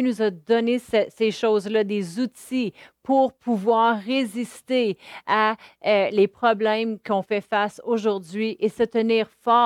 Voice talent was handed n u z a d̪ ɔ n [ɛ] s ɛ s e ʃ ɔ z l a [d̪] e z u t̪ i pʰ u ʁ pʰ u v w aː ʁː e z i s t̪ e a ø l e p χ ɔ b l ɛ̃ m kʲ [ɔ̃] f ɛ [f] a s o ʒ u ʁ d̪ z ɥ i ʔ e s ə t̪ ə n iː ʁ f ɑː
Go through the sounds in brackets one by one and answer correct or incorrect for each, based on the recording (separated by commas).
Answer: incorrect, correct, correct, correct